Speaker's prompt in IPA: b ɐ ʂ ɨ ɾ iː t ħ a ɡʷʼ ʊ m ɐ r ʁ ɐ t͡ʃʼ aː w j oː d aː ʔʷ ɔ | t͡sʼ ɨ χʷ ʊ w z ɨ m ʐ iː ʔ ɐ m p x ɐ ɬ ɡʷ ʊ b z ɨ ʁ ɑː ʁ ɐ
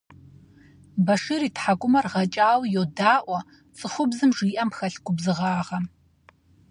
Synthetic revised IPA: b ɐ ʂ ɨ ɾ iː t ħ a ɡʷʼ ʊ m ɐ r ʁ ɐ t͡ʃʼ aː w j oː d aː ʔʷ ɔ | t͡sʼ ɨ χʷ ʊ b z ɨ m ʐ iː ʔ ɐ m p x ɐ ɬ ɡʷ ʊ b z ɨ ʁ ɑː ʁ ɐ